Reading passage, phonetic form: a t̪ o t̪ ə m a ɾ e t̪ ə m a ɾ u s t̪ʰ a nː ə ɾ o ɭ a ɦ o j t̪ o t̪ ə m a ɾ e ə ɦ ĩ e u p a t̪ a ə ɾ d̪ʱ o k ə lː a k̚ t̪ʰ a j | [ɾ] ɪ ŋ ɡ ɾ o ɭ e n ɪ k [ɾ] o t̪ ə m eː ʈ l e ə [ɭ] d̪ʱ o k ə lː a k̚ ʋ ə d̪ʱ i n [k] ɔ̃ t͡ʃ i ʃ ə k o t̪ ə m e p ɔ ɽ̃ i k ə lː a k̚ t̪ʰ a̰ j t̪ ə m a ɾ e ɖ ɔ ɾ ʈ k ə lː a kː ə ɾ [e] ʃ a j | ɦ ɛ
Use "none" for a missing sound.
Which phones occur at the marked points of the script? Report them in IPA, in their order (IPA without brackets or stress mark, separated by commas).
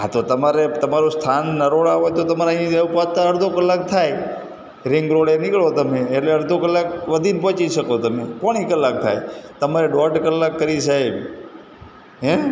ɾ, ɭ, ɾ, p, i